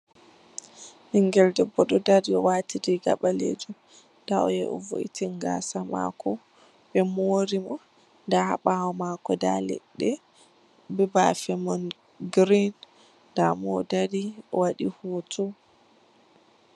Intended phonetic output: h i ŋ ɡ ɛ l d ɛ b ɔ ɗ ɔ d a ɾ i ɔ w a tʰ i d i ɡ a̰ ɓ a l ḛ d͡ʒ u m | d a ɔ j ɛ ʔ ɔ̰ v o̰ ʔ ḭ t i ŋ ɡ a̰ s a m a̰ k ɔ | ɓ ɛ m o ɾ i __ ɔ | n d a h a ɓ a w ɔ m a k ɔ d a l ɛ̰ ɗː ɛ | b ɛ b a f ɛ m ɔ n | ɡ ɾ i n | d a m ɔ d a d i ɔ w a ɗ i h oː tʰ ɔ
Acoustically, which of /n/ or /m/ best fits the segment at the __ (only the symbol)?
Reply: m